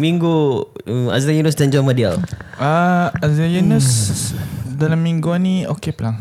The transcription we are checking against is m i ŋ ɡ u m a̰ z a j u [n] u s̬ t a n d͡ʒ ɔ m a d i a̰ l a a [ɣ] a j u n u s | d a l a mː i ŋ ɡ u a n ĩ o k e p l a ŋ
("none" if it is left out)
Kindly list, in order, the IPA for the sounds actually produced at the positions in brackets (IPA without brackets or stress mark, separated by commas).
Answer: n, z